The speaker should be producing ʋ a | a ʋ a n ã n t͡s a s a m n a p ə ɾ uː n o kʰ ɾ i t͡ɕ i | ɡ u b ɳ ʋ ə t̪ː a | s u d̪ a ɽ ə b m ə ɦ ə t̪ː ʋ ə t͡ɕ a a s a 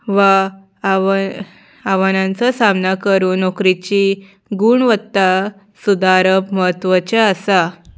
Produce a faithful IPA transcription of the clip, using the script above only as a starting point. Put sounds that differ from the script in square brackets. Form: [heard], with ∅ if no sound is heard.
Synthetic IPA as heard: ʋ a | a ʋ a n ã n t͡s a s a m n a [k] ə ɾ uː n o [k] ɾ i t͡ɕ i | ɡ u [∅] ɳ ʋ ə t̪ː a | s u d̪ a [ɾ] ə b m ə ɦ ə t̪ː ʋ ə t͡ɕ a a s a